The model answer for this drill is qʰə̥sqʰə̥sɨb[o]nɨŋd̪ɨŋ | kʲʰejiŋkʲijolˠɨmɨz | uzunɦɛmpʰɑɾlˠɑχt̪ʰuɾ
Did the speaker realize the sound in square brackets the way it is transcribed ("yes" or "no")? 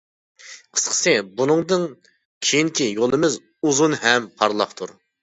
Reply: no